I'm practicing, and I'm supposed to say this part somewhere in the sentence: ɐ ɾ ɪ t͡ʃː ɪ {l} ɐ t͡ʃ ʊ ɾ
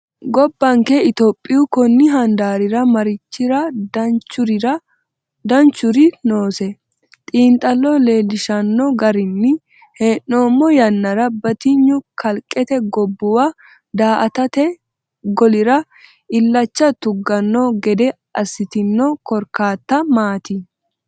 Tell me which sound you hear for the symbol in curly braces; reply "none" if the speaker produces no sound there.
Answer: ɾ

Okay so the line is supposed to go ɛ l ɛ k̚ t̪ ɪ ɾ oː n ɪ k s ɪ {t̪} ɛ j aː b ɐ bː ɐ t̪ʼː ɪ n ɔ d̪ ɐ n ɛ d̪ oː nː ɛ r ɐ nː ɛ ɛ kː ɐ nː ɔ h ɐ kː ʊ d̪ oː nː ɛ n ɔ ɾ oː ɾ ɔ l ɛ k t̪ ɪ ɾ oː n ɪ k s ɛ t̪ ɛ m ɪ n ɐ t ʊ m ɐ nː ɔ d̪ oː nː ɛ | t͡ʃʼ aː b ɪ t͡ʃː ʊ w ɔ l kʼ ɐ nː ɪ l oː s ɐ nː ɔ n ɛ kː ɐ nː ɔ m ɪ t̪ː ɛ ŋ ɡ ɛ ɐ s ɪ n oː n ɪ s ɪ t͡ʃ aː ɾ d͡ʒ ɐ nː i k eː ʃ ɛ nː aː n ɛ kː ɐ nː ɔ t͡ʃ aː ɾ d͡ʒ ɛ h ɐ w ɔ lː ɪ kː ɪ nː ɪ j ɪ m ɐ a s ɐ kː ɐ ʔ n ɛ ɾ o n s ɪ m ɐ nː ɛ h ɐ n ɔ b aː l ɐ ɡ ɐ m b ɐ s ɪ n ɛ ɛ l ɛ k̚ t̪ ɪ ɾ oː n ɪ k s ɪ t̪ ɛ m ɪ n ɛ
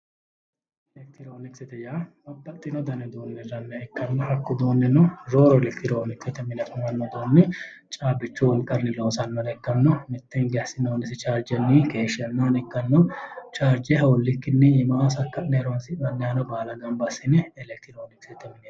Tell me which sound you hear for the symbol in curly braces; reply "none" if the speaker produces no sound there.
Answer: t̪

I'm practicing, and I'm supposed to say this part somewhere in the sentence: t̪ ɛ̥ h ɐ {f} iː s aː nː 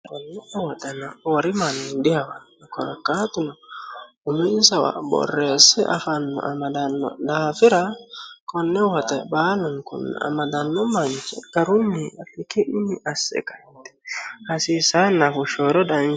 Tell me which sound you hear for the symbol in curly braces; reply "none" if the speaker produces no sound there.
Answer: s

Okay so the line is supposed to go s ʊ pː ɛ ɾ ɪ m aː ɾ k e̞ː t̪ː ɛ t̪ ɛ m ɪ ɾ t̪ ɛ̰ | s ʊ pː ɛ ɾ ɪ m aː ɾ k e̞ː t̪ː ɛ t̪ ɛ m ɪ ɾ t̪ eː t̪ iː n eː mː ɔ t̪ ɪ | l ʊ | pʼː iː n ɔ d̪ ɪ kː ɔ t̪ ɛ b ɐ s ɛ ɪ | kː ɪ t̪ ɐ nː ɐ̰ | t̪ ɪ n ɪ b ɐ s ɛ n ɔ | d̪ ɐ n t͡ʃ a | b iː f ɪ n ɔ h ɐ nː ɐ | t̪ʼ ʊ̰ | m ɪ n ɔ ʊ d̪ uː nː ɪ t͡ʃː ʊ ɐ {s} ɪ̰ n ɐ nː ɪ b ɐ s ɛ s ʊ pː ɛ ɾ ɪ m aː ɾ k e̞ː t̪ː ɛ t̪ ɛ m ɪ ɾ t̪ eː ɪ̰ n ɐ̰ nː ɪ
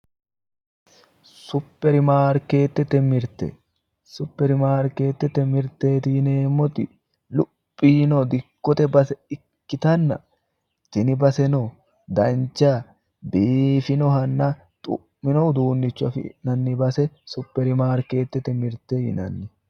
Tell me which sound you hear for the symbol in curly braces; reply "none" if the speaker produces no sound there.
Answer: f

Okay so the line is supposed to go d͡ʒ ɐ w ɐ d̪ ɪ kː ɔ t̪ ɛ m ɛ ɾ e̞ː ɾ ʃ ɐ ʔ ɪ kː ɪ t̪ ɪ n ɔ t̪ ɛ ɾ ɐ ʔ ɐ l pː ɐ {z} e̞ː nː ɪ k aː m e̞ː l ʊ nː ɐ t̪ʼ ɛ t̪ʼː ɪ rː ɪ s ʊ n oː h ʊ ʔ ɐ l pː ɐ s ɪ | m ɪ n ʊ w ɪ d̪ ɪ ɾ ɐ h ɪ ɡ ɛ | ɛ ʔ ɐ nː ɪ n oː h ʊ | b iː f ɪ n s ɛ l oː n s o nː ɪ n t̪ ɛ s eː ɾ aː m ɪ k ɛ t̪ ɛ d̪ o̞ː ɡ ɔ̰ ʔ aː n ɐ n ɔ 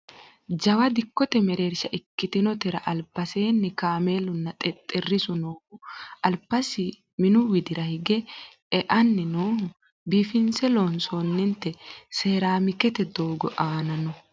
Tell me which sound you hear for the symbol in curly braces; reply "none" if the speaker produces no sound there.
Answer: s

